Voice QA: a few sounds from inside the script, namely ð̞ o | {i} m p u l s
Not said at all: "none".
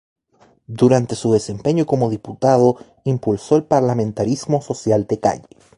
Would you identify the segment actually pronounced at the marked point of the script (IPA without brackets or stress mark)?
i